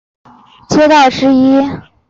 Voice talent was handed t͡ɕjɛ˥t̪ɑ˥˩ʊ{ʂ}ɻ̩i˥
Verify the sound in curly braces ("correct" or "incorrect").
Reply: correct